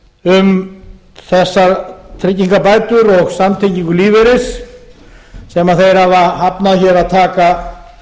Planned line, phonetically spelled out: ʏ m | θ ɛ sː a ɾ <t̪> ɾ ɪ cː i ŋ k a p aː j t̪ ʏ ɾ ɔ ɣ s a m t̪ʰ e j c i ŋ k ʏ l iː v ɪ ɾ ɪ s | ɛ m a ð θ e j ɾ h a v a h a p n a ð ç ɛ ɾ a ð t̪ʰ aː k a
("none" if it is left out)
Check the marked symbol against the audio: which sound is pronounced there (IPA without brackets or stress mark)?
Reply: t̪ʰ